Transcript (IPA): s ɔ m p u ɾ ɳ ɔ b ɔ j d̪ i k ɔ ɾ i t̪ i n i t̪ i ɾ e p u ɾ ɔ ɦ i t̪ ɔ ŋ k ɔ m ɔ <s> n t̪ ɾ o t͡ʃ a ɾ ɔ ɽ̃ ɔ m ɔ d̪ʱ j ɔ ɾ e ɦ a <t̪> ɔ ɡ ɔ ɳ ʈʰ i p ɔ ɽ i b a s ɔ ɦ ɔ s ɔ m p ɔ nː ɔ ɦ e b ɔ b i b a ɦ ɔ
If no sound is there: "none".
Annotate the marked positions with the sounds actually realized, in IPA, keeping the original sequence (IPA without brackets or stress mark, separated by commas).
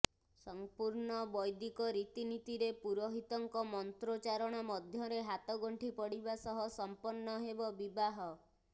none, t̪